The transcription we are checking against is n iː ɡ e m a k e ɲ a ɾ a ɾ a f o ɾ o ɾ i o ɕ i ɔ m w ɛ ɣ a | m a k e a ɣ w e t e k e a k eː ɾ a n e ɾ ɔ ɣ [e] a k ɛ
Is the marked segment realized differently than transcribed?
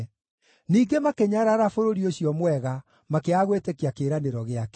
no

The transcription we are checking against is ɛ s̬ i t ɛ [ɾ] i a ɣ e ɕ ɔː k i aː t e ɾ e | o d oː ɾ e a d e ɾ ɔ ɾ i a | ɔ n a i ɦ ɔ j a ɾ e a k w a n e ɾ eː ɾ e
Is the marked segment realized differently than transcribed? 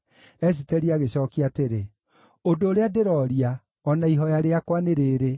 no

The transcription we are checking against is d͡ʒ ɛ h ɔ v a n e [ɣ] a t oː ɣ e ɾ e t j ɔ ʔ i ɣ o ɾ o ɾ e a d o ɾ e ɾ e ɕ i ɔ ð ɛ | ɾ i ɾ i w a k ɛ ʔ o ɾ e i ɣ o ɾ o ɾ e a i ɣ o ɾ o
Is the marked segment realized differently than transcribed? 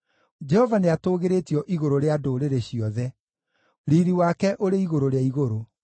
yes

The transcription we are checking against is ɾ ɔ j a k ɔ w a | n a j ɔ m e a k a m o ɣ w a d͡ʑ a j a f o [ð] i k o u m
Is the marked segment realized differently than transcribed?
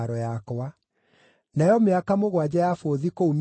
no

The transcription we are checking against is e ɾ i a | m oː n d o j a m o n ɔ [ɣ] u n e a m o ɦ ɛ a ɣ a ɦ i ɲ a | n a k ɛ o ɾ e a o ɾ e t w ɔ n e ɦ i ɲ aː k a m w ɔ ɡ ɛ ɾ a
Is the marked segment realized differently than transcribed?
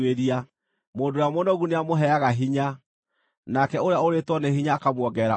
no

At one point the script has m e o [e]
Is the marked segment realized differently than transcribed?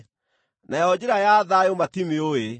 no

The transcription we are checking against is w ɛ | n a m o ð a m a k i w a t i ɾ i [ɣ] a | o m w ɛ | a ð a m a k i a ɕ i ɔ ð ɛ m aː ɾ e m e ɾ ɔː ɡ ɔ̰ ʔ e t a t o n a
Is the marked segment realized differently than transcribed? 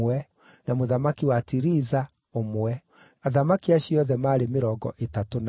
yes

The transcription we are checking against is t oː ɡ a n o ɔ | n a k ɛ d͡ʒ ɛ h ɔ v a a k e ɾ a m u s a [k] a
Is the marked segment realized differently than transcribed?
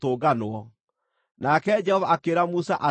yes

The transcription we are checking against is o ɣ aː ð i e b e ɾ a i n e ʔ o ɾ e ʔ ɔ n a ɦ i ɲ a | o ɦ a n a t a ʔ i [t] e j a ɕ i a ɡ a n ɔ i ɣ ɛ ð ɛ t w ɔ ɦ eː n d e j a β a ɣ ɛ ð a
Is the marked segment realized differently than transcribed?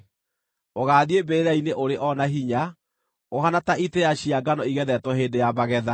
no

